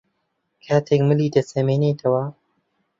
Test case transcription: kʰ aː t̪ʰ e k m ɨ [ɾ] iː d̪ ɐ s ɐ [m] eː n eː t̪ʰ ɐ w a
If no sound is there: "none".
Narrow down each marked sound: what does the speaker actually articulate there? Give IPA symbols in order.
l, m

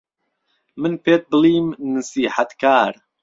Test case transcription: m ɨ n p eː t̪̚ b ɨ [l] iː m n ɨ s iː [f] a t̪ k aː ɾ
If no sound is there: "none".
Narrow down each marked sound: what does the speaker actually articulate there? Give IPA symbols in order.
l, ħ

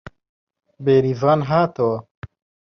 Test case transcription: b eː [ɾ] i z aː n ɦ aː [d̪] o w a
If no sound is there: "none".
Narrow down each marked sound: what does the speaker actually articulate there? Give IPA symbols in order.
ɾ, t̪

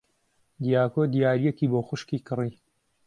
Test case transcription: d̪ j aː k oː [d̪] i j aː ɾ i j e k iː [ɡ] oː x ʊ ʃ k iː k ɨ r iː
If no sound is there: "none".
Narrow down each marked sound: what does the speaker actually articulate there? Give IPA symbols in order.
d̪, b

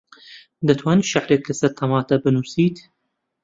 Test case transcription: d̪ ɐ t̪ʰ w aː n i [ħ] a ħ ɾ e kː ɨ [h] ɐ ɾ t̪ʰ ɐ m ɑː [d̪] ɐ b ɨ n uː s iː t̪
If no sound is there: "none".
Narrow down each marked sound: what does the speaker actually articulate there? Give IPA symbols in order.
ʃ, s, t̪

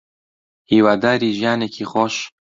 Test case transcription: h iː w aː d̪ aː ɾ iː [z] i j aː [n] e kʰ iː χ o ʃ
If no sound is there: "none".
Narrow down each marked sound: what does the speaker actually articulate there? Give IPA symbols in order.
ʒ, n

